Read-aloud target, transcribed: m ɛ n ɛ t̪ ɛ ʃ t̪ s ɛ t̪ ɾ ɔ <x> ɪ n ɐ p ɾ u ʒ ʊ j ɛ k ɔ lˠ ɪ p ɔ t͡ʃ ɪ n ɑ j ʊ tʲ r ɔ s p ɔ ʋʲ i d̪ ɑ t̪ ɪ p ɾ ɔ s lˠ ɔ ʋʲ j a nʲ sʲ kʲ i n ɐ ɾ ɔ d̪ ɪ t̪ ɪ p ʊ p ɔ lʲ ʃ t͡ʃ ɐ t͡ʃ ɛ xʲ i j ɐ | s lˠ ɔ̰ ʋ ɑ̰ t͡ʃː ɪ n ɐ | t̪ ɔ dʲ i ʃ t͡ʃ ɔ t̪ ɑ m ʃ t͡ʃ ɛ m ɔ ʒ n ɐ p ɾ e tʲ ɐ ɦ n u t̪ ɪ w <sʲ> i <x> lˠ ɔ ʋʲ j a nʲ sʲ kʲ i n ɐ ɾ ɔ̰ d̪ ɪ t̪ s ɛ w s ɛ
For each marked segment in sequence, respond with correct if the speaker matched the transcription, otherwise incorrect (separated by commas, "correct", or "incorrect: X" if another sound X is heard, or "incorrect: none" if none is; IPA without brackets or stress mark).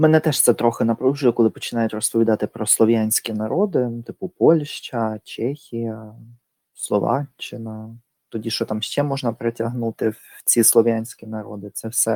correct, incorrect: t͡sʲ, incorrect: s